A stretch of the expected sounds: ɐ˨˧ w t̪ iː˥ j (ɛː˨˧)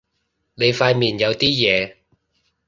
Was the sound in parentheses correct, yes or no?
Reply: yes